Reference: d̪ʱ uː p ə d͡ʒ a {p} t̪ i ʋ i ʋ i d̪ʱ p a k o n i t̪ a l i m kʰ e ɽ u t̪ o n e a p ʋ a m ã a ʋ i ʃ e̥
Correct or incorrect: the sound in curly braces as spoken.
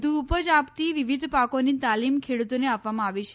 correct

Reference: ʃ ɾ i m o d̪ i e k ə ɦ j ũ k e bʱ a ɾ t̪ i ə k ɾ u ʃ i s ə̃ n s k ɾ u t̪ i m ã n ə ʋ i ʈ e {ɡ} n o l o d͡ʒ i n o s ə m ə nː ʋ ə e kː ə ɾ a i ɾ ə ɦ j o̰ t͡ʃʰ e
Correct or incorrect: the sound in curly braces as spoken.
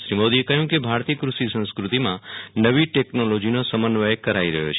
incorrect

